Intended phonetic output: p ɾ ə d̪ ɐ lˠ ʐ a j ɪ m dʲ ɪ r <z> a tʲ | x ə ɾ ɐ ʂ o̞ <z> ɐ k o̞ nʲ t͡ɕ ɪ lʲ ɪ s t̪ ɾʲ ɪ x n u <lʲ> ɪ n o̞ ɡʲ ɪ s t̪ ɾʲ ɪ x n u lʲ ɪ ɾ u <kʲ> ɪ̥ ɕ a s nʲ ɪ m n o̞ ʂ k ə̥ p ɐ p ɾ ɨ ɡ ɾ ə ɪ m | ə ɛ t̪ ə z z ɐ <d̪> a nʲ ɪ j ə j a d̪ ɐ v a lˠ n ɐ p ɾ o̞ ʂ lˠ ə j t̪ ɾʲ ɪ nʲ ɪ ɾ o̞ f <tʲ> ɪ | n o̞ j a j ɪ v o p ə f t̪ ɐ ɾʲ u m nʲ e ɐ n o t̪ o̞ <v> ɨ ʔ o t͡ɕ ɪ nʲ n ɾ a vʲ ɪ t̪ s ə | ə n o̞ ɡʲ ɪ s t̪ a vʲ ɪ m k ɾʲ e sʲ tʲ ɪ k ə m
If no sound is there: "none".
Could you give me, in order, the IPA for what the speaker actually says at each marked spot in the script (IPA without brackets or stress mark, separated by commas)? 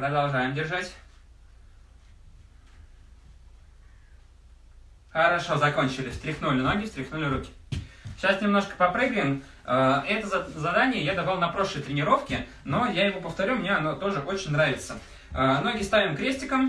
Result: ʐ, z, lʲ, kʲ, d̪, kʲ, ʐ